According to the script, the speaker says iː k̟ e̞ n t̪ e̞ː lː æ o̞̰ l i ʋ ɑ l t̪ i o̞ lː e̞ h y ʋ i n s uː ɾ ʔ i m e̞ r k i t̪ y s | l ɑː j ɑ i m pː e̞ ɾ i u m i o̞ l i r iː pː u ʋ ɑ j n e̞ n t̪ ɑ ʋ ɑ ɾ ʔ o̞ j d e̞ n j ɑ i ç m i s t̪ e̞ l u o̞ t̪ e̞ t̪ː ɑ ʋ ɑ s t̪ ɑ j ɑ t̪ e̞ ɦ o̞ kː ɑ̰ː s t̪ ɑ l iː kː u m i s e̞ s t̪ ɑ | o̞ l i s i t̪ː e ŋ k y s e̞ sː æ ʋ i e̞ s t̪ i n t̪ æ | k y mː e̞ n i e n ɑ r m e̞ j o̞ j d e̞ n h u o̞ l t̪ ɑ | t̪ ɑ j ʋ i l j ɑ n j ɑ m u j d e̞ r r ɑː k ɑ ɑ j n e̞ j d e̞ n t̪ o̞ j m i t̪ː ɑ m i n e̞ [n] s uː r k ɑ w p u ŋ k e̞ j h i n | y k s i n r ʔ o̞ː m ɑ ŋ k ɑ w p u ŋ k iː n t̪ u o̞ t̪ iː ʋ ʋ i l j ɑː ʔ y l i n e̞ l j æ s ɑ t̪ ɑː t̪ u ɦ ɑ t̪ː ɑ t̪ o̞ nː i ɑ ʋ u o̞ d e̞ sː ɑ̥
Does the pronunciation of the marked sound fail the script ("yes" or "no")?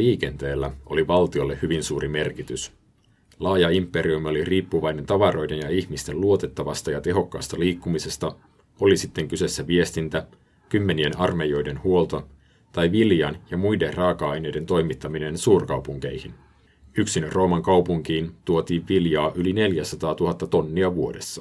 no